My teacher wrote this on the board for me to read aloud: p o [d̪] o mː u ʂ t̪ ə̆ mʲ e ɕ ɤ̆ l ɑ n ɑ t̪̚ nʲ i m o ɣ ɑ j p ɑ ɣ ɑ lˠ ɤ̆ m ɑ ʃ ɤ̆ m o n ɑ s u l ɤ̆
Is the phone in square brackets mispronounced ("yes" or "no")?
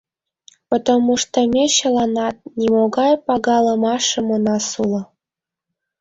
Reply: yes